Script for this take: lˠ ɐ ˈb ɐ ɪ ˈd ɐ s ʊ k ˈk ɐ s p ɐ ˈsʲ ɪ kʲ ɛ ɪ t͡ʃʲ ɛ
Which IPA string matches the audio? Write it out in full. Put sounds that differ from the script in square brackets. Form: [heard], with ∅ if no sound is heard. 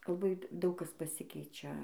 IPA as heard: lˠ ɐ ˈb ɐ ɪ ˈd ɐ [∅] ʊ k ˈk ɐ s p ɐ ˈsʲ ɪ kʲ ɛ ɪ t͡ʃʲ ɛ